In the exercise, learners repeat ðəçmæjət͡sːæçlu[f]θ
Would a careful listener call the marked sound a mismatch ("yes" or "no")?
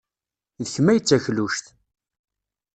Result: yes